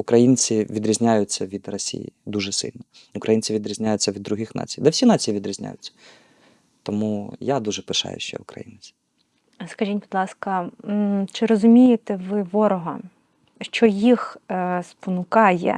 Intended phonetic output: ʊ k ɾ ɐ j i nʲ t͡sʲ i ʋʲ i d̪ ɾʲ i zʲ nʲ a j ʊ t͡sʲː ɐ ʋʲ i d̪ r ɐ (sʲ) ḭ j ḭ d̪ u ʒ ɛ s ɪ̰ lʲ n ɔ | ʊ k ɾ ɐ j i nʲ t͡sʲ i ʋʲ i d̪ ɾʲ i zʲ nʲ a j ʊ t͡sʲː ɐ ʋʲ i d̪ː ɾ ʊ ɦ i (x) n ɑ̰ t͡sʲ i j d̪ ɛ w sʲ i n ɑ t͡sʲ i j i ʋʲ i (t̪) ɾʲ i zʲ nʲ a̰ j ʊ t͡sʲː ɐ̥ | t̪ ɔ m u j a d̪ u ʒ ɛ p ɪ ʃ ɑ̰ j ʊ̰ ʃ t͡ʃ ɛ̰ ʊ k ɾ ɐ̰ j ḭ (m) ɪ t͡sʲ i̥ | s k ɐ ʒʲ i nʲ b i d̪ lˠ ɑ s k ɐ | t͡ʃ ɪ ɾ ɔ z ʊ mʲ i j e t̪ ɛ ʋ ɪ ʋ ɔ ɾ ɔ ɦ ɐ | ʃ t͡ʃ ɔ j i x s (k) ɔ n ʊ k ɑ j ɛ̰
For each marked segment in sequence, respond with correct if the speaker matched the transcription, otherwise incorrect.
correct, correct, incorrect: d̪, incorrect: n, incorrect: p

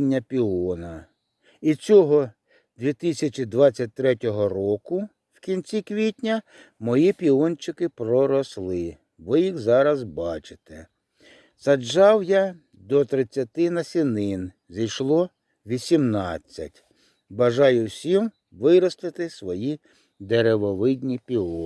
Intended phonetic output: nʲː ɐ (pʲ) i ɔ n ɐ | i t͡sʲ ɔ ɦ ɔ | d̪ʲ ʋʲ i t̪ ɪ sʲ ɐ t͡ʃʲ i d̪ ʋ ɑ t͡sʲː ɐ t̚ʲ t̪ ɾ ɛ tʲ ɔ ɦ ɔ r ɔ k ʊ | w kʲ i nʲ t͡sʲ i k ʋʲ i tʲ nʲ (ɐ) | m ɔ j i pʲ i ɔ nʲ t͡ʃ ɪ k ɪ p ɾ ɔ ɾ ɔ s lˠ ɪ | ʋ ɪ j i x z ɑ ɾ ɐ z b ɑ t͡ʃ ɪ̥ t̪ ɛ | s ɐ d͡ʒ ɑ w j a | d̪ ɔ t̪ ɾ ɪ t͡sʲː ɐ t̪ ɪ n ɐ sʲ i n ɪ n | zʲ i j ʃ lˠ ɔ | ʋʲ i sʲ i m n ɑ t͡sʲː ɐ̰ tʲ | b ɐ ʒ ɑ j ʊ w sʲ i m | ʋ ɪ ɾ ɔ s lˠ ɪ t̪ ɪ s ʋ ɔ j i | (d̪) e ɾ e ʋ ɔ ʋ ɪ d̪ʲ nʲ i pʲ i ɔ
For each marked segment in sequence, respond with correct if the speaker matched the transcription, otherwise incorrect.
correct, correct, correct

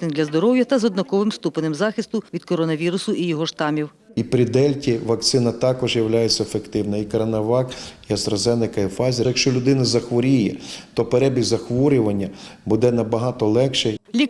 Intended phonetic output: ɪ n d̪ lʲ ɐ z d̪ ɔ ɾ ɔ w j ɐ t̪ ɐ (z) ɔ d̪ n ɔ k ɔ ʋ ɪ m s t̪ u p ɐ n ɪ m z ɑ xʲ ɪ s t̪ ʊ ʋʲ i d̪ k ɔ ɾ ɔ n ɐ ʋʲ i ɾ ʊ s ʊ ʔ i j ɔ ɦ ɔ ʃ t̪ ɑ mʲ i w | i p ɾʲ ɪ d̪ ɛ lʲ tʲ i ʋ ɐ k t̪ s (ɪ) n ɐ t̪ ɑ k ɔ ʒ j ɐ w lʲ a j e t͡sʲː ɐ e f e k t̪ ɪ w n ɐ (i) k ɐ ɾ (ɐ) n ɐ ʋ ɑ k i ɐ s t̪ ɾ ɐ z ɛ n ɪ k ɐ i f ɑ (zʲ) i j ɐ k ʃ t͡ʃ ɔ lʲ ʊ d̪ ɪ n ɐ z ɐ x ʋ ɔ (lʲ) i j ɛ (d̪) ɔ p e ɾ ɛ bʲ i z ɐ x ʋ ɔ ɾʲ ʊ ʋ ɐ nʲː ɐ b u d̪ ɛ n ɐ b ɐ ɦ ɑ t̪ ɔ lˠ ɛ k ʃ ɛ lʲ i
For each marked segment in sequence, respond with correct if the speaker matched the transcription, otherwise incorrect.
correct, correct, correct, correct, correct, incorrect: ɾʲ, incorrect: t̪

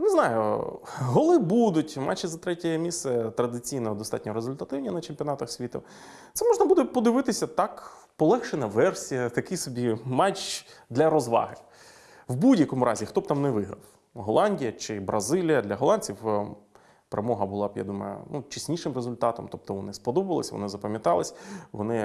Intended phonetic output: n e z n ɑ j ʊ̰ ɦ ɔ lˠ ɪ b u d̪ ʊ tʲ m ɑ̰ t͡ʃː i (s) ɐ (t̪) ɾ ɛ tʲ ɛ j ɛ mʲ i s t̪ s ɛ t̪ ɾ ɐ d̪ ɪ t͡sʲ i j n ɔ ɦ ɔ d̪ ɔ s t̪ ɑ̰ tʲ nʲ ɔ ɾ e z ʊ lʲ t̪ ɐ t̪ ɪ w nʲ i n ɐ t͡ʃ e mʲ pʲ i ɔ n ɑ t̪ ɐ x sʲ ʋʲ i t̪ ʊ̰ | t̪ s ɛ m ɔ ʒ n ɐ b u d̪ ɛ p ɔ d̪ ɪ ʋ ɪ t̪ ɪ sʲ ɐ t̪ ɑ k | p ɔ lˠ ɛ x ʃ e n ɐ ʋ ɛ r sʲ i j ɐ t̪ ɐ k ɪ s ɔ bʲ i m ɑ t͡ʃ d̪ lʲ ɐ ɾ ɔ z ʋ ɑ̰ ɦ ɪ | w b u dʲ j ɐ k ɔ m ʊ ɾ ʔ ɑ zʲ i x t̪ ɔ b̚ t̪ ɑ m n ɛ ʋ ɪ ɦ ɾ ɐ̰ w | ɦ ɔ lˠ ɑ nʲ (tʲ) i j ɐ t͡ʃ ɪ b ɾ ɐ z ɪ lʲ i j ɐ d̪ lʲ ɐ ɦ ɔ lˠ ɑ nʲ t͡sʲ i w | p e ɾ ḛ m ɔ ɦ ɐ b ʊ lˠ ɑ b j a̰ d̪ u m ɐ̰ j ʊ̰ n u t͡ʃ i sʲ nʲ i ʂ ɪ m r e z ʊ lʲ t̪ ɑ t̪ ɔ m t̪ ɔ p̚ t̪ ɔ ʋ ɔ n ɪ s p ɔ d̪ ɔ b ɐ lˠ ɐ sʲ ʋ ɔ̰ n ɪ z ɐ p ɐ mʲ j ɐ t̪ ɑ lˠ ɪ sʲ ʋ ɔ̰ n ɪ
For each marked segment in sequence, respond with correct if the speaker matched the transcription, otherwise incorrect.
incorrect: z, correct, incorrect: dʲ

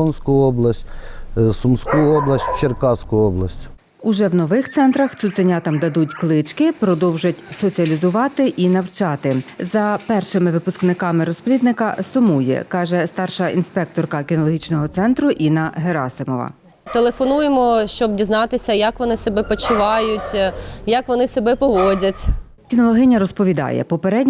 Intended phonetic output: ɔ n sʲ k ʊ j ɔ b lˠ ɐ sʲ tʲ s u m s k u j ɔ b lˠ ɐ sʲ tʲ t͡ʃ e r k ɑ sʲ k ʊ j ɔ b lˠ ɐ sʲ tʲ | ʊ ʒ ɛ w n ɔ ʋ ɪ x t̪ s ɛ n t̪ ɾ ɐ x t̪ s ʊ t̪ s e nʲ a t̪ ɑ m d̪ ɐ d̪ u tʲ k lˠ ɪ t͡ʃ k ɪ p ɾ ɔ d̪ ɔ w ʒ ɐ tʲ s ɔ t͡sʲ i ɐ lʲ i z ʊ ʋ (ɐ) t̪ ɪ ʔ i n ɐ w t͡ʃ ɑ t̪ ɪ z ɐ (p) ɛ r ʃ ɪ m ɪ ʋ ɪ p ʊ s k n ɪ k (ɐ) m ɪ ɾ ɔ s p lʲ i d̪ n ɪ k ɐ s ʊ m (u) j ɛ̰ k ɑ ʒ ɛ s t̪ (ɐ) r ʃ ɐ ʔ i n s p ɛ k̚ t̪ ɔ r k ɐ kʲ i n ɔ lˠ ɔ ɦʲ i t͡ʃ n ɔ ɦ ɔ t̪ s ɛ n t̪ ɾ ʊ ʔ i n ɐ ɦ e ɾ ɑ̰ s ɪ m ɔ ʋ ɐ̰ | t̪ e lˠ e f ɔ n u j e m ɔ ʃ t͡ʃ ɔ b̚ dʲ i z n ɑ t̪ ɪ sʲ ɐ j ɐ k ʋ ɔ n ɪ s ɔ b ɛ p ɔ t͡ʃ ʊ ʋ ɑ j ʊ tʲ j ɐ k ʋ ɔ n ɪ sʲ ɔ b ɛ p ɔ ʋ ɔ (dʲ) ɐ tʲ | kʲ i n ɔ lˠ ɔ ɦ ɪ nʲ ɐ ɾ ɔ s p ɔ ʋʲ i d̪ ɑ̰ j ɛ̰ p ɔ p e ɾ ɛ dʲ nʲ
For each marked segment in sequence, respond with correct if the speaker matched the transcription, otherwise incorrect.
incorrect: ɑ, correct, incorrect: ɑ, correct, incorrect: ɑ, correct

